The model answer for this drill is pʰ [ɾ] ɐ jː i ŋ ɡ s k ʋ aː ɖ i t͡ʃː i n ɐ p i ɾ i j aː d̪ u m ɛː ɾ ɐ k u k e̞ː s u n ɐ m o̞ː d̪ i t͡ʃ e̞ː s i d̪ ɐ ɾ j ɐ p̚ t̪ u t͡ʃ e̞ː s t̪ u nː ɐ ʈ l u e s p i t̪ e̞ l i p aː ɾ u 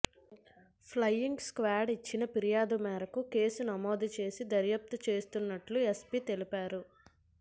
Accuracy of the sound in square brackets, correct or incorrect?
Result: incorrect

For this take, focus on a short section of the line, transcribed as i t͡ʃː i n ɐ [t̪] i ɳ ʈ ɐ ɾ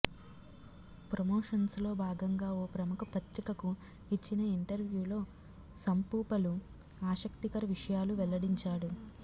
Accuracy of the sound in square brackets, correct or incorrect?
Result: incorrect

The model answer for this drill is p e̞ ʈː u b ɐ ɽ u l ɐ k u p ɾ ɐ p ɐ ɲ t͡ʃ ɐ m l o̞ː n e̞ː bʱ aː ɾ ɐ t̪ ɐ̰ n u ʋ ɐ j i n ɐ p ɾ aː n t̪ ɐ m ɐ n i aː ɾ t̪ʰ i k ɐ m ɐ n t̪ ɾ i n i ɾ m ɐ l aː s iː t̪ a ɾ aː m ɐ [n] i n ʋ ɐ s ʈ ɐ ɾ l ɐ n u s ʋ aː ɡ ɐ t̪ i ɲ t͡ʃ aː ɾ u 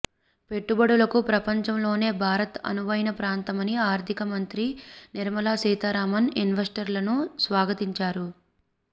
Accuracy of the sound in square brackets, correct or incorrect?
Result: correct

